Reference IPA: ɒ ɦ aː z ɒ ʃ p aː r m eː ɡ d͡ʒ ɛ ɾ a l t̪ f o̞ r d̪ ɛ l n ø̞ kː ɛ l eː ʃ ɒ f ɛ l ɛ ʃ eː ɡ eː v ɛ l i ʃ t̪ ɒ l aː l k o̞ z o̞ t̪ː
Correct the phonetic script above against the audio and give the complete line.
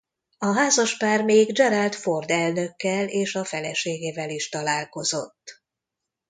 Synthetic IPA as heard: ɒ ɦ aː z ɒ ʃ p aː r m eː ɡ d͡ʒ ɛ ɾ a l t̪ f o̞ r d̪ ɛ l n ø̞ kː ɛ l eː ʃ ɒ f ɛ l ɛ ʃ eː ɡ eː v ɛ l i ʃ t̪ ɒ l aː l k o̞ z o̞ t̪ː